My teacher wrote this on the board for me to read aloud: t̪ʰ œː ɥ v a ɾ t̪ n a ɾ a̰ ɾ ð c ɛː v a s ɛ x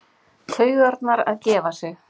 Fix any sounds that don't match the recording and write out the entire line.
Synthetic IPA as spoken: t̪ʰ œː ɥ ɣ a ɾ t̪ n a ɾ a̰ ð c ɛː v a s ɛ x